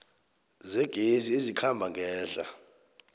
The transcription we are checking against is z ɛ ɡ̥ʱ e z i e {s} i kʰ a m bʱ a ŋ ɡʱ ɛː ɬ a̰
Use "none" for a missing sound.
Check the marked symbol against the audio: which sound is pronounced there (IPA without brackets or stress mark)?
z